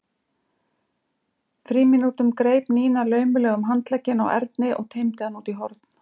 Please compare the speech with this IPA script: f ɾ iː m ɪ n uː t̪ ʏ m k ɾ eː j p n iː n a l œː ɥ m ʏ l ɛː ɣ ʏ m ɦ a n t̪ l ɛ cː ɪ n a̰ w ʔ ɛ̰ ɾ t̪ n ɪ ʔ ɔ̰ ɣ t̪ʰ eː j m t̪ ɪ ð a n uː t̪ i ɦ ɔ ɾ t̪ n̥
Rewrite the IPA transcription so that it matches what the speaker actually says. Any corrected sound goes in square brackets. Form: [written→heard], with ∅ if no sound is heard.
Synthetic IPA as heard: f ɾ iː m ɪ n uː t̪ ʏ m k ɾ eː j p n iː n a l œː ɥ m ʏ l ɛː ɣ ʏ m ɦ a n t̪ l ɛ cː ɪ n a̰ w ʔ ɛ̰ ɾ t̪ n ɪ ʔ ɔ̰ ɣ t̪ʰ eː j m t̪ ɪ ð a n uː t̪ i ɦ ɔ ɾ t̪ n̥